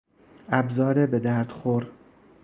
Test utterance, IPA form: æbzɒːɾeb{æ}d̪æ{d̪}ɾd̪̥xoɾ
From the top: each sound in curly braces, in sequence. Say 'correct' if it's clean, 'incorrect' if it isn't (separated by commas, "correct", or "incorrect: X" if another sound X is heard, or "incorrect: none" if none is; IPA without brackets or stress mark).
incorrect: e, incorrect: none